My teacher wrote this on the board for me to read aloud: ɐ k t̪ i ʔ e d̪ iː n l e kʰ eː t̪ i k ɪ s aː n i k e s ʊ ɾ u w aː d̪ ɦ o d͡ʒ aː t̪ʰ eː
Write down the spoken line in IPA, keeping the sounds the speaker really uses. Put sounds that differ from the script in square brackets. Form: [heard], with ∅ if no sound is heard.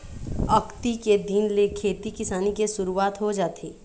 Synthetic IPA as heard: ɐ k t̪ i [k] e d̪ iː n l e kʰ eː t̪ i k ɪ s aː n i k e s ʊ ɾ u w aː [t̪] ɦ o d͡ʒ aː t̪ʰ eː